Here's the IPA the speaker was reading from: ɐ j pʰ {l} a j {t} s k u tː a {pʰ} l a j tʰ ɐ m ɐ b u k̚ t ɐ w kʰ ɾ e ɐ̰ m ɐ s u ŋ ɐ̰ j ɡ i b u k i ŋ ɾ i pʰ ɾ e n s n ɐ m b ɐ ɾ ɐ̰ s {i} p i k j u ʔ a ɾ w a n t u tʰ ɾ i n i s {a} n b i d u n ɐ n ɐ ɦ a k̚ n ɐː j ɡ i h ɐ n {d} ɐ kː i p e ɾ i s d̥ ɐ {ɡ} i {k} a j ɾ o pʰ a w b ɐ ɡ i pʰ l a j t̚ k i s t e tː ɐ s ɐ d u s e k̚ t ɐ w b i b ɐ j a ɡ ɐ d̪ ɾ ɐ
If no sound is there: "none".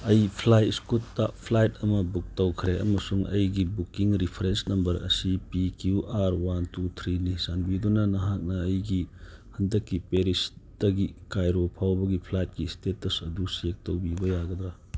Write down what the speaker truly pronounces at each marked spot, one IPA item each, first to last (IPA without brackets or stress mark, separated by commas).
l, t, pʰ, i, a, d, ɡ, k